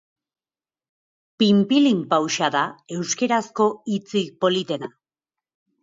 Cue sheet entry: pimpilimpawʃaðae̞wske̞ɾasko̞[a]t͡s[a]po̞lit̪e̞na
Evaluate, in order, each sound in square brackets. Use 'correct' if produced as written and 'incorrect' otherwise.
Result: incorrect, incorrect

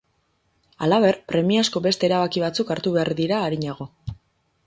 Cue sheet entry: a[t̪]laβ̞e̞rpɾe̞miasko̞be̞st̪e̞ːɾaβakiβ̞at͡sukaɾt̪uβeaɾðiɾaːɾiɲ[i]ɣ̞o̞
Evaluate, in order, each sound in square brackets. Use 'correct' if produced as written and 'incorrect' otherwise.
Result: incorrect, incorrect

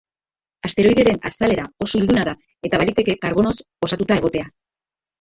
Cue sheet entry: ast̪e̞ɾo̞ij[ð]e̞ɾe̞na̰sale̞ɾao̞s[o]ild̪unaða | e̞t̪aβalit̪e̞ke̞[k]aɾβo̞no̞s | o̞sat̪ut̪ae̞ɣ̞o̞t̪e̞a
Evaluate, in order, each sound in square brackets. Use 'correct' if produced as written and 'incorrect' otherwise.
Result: correct, correct, correct

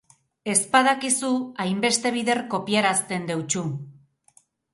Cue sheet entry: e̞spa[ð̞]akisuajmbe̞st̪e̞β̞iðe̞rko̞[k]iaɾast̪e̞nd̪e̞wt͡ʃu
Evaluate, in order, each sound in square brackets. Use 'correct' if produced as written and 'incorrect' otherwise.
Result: correct, incorrect

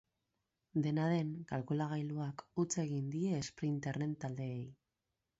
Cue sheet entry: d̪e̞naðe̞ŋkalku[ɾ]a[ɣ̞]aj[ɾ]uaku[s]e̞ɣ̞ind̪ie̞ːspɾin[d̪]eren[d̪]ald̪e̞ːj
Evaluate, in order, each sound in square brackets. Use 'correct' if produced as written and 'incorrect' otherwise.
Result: incorrect, correct, incorrect, incorrect, incorrect, incorrect

